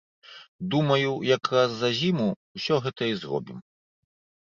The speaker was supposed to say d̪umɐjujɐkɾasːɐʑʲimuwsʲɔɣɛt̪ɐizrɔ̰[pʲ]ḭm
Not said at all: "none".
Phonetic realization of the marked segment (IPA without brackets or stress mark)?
bʲ